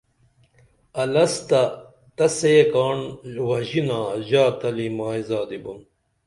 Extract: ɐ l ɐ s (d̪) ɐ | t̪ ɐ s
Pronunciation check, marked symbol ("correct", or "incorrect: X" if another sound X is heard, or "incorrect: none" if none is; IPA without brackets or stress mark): incorrect: t̪